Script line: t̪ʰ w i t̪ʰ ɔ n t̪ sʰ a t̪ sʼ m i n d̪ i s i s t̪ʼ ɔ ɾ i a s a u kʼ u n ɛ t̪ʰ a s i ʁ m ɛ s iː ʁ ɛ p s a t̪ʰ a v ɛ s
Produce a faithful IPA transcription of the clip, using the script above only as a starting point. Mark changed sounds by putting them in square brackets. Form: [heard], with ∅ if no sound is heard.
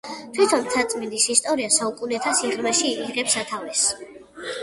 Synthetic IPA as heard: t̪ʰ w i t̪ʰ ɔ n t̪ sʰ a t̪ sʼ m i n d̪ i s i s t̪ʼ ɔ ɾ i a s a u kʼ u n ɛ t̪ʰ a s i ʁ m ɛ [ʃ] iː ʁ ɛ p s a t̪ʰ a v ɛ s